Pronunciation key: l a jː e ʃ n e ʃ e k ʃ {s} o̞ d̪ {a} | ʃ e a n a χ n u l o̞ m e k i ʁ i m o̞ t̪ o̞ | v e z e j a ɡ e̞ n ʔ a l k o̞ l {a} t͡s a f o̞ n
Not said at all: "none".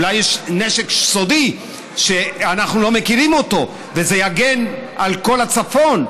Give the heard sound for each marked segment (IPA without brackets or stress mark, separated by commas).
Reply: s, i, a